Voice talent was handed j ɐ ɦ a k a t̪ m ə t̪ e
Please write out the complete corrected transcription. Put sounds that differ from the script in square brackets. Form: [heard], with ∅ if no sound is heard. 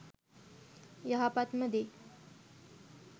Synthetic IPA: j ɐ ɦ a [p] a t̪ m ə [d̪] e

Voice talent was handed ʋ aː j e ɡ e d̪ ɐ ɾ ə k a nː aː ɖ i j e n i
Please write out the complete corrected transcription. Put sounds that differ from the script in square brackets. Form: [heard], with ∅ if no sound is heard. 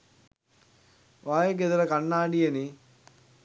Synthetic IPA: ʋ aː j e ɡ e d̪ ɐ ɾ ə k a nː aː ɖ i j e n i

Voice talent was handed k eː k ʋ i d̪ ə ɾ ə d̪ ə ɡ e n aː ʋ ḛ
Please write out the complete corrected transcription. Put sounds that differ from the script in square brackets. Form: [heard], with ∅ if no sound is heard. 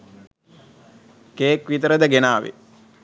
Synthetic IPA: k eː k ʋ i [t̪] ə ɾ ə d̪ ə ɡ e n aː ʋ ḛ

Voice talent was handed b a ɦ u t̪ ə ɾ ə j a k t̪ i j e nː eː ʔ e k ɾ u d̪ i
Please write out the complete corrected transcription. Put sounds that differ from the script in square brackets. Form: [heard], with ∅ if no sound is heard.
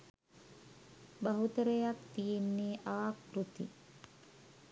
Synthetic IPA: b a ɦ u t̪ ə ɾ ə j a k t̪ i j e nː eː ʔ [a] k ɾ u [t̪] i

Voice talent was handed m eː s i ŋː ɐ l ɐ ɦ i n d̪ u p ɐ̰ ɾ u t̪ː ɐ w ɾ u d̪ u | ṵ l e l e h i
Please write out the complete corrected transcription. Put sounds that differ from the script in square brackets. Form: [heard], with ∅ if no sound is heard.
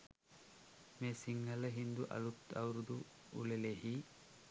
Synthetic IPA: m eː s i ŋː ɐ l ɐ ɦ i n d̪ u [ʔ] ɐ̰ [l] u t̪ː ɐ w ɾ u d̪ u | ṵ l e l e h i

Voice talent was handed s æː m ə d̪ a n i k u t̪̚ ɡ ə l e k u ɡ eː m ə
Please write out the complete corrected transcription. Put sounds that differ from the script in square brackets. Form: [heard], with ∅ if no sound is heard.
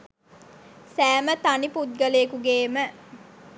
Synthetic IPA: s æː m ə [t̪] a n i [p] u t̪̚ ɡ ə l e k u ɡ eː m ə

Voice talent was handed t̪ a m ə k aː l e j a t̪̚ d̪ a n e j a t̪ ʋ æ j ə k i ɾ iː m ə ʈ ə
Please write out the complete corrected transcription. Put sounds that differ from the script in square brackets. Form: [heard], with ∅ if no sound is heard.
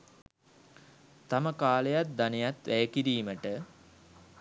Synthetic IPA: t̪ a m ə k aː l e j a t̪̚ d̪ a n e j a t̪ ʋ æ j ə k i ɾ iː m ə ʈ ə

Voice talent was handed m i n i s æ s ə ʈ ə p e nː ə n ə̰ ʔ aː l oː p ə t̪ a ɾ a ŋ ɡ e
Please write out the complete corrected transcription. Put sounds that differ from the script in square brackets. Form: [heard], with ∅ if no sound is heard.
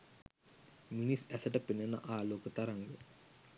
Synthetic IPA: m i n i s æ s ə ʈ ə p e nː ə n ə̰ ʔ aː l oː [k] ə t̪ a ɾ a ŋ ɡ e

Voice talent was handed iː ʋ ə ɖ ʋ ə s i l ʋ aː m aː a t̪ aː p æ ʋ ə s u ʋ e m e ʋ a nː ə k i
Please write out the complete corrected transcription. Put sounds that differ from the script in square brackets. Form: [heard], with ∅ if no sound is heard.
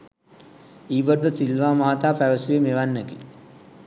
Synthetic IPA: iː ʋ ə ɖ ʋ ə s i l ʋ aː m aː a t̪ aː p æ ʋ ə s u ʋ e m e ʋ a nː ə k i

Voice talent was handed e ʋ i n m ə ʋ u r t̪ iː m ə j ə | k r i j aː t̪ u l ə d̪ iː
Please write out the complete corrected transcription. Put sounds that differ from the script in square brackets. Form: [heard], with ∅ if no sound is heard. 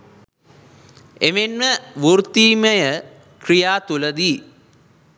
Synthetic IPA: e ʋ [e] n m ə ʋ u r t̪ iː m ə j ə | k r i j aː t̪ u l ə d̪ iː

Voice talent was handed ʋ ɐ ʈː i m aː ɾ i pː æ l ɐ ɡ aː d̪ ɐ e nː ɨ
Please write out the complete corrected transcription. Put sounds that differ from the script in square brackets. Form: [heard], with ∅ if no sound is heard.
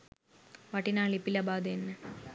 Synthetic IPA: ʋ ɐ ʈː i [n] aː [ɭ] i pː [i] l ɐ [b] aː d̪ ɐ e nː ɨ

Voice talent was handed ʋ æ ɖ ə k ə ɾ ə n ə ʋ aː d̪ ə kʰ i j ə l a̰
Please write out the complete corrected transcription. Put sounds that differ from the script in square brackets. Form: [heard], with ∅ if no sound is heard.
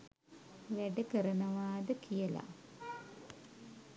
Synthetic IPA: ʋ æ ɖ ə k ə ɾ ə n ə ʋ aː d̪ ə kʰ i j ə l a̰

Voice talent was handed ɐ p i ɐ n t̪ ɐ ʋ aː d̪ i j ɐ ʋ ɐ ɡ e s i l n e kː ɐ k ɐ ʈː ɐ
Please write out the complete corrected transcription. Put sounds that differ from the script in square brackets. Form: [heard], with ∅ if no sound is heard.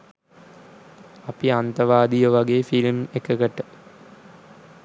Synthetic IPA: ɐ p i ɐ n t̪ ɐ ʋ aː d̪ i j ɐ ʋ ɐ ɡ e [f] i l [m] e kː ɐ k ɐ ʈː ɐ

